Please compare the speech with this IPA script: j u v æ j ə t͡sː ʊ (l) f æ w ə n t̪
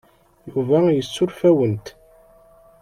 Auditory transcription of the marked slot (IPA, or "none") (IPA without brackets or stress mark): ɾ